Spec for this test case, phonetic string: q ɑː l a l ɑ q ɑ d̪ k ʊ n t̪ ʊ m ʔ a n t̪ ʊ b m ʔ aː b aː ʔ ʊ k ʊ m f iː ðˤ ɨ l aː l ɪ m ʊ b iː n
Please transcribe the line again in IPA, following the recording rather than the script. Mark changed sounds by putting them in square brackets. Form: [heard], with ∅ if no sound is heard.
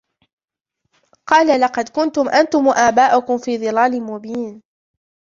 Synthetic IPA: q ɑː l a l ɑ q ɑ d̪ k ʊ n t̪ ʊ m ʔ a n t̪ ʊ [∅] m ʔ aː b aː ʔ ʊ k ʊ m f iː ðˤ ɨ l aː l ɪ m ʊ b iː n